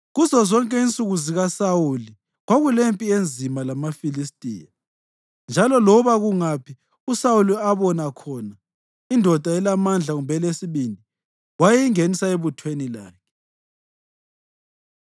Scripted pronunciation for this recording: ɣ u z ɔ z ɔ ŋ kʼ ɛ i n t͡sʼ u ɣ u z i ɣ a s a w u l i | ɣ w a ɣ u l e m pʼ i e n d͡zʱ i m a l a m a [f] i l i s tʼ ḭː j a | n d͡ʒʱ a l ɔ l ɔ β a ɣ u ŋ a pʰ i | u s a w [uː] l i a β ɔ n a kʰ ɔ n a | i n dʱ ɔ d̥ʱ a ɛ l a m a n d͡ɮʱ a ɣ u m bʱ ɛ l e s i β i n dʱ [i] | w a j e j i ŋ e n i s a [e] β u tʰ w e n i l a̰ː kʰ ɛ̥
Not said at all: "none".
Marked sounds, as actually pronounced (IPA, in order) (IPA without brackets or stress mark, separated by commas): f, u, i, e